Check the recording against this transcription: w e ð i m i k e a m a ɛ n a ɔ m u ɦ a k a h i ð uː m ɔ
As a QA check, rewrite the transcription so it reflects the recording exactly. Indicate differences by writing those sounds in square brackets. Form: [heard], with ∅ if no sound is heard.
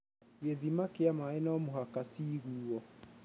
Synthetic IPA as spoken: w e ð i m [a] k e a m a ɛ n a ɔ m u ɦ a k a [s] i [ɣ] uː [∅] ɔ